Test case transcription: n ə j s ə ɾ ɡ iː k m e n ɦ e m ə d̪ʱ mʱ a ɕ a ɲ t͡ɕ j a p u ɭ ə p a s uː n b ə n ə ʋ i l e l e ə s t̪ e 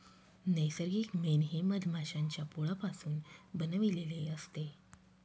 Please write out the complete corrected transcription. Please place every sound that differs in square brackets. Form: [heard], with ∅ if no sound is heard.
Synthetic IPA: n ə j s ə ɾ ɡ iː k m e n ɦ e m ə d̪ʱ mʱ a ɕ a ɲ t͡ɕ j a p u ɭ [a] p a s uː n b ə n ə ʋ i l e l e ə s t̪ e